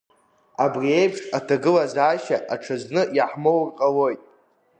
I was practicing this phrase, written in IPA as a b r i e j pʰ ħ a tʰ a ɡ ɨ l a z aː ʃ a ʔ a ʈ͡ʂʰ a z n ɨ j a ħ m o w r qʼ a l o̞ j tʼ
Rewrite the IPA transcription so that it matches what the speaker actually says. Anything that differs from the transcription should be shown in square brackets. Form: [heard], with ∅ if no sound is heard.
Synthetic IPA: a b r i e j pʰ [ʂ] a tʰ a ɡ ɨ l a z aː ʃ a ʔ a ʈ͡ʂʰ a z n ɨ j a ħ m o w r qʼ a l o̞ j tʼ

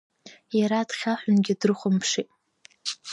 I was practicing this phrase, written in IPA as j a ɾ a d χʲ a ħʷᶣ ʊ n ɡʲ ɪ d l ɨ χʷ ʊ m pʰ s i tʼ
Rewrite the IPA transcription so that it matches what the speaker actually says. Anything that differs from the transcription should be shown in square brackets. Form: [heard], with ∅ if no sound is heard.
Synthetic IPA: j a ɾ a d χʲ a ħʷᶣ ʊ n ɡʲ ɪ d [r] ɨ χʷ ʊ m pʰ [ʂ] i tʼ

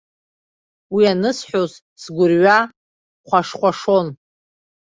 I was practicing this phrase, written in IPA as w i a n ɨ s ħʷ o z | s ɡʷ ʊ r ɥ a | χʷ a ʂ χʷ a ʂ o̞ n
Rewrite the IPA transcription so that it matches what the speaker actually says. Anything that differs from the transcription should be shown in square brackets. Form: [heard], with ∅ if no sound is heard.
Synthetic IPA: w i a n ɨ s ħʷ o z | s ɡʷ ʊ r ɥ a | χʷ a ʂ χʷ a ʂ o̞ n

